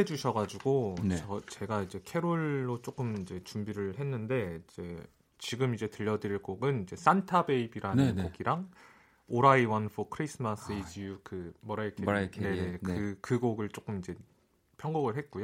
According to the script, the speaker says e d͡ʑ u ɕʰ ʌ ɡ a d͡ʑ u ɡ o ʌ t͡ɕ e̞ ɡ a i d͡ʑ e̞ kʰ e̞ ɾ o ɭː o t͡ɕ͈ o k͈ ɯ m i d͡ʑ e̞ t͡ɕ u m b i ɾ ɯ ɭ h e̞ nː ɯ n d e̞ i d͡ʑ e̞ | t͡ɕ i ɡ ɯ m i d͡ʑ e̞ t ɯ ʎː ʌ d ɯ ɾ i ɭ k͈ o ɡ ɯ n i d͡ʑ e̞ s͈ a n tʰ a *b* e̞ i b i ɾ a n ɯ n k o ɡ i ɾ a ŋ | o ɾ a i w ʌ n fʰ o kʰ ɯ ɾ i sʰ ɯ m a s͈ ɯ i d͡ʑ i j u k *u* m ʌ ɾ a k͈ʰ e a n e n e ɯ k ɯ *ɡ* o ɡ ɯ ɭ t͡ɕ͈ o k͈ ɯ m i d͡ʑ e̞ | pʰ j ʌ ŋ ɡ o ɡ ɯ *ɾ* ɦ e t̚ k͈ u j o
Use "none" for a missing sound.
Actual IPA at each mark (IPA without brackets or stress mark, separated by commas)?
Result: b, ɯ, ɡ, ɭ